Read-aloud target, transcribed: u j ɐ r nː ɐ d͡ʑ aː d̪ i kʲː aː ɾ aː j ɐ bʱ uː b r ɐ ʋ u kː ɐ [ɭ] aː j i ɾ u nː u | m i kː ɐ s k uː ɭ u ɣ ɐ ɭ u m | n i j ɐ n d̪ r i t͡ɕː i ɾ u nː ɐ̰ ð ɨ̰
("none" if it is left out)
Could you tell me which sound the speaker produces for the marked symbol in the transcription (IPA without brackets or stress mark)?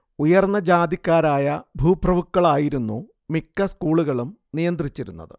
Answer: ɭ